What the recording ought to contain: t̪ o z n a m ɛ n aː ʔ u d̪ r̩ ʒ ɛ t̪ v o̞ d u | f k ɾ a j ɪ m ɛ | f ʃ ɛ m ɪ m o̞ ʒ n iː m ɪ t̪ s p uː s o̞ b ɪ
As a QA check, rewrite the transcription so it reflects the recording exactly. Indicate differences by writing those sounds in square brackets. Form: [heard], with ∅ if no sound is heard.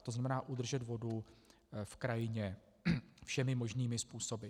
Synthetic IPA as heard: t̪ o z n a m ɛ n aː ʔ u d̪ r̩ ʒ ɛ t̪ v o̞ d u | f k ɾ a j ɪ [ɲ] ɛ | f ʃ ɛ m ɪ m o̞ ʒ n iː m ɪ [∅] s p uː s o̞ b ɪ